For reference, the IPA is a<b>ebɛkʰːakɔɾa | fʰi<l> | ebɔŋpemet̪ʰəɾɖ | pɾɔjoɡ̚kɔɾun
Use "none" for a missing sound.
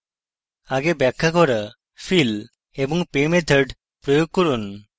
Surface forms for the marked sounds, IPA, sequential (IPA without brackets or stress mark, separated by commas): ɡ, l